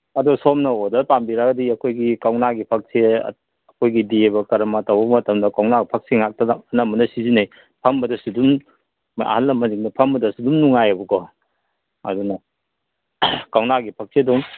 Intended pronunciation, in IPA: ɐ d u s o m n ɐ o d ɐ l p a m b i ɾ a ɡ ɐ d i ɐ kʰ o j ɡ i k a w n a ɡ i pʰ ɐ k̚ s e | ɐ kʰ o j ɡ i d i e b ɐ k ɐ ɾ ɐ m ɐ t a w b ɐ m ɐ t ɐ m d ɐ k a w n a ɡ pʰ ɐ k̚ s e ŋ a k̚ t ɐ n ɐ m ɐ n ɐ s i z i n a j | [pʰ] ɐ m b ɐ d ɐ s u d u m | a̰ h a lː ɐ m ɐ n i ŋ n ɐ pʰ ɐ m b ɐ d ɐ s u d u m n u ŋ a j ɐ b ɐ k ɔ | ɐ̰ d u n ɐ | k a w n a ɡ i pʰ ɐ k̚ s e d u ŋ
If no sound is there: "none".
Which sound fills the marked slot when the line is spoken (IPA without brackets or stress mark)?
pʰ